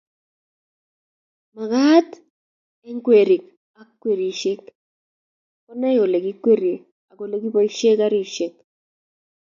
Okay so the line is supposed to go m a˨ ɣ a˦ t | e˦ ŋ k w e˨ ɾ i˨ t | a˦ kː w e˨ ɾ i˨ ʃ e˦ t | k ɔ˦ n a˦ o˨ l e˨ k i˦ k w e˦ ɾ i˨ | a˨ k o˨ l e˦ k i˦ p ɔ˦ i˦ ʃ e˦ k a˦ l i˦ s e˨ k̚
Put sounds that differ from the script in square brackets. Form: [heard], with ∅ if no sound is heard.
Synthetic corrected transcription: m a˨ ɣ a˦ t | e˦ ŋ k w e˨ ɾ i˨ [k] | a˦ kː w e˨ ɾ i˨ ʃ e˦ [k] | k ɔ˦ n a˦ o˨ l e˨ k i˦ k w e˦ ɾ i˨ | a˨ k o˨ l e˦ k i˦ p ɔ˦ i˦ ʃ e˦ k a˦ [ɾ] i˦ [ʃ] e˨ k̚